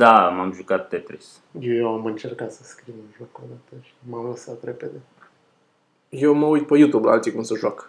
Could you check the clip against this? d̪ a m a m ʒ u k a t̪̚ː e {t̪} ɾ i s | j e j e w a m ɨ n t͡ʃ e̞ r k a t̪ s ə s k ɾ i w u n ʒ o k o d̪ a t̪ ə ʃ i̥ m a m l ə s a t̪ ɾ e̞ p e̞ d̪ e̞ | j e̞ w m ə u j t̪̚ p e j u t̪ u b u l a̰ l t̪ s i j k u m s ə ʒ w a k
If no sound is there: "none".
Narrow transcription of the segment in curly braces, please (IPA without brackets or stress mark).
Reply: t̪